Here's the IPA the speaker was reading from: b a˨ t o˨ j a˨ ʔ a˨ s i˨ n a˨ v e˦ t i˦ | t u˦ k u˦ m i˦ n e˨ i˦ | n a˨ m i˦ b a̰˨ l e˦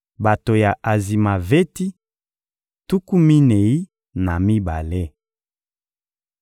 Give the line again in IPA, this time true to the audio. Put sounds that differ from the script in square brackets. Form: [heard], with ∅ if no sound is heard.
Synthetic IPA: b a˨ t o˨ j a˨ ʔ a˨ [z] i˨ [m] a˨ v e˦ t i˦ | t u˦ k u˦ m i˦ n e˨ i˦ | n a˨ m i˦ b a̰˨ l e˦